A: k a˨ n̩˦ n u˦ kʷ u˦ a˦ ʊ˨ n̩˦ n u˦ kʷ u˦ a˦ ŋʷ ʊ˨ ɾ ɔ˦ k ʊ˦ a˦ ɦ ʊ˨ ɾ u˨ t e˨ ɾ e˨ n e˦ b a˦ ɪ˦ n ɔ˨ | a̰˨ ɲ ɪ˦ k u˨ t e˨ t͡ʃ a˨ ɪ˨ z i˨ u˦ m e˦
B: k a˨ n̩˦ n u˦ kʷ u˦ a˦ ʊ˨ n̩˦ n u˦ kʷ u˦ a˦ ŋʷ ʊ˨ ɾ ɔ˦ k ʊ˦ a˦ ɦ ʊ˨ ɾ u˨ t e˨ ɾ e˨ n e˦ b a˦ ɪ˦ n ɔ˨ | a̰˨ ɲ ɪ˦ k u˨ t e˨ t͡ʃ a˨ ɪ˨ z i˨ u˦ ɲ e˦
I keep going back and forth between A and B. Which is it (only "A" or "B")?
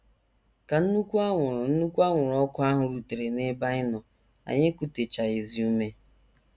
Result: A